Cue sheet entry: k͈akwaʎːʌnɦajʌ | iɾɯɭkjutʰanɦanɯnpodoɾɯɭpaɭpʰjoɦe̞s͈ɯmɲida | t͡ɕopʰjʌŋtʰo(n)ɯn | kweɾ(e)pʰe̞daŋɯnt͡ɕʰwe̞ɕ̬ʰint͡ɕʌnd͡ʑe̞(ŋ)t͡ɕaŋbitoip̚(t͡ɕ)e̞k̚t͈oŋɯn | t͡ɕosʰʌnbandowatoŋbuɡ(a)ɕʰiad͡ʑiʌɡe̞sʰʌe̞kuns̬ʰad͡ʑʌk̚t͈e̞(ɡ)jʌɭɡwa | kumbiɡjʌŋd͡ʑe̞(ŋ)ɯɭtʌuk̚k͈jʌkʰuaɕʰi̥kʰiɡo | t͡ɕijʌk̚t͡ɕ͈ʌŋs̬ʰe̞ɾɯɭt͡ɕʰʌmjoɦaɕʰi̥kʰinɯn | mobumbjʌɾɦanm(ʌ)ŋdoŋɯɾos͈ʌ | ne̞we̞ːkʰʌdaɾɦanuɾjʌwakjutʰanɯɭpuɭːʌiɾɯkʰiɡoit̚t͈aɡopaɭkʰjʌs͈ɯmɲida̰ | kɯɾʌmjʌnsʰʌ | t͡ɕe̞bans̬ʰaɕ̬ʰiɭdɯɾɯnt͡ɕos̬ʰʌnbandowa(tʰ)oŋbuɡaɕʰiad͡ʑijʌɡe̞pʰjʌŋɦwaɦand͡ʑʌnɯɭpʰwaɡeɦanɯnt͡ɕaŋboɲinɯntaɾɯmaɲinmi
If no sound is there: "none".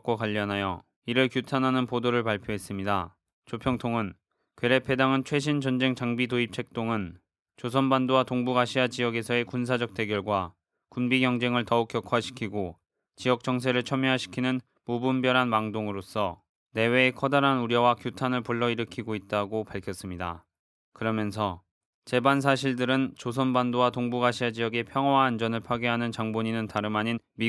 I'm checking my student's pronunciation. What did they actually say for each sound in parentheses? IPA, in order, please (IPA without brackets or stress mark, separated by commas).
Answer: ŋ, e, ŋ, t͡ɕʰ, a, ɡ, ŋ, a, t